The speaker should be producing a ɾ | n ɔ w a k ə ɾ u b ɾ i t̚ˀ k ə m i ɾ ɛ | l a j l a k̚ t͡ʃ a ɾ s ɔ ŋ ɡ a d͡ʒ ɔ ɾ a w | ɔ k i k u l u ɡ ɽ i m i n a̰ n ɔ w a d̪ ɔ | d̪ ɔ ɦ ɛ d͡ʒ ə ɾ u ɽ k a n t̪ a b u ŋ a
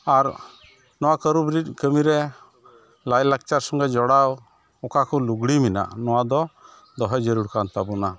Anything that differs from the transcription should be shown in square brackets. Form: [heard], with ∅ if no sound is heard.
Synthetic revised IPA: a ɾ | n ɔ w a k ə ɾ u b ɾ i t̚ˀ k ə m i ɾ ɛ | l a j l a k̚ t͡ʃ a ɾ s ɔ ŋ ɡ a d͡ʒ ɔ [ɽ] a w | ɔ k [a] k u l u ɡ ɽ i m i n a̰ n ɔ w a d̪ ɔ | d̪ ɔ ɦ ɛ d͡ʒ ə ɾ u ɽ k a n t̪ a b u [n] a